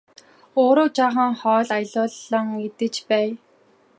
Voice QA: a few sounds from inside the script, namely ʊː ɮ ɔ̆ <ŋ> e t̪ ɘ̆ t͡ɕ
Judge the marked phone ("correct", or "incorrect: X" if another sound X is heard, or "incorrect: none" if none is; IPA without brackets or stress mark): correct